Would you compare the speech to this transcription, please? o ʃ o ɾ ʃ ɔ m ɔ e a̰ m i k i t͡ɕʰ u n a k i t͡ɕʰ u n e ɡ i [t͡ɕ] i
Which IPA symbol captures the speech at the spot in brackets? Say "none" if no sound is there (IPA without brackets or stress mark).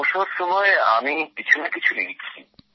t͡ɕʰ